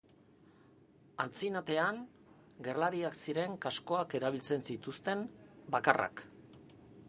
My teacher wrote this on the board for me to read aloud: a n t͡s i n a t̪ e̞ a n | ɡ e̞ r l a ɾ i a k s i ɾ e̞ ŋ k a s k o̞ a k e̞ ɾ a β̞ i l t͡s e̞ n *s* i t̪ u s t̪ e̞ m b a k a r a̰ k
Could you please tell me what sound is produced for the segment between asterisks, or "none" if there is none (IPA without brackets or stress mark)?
s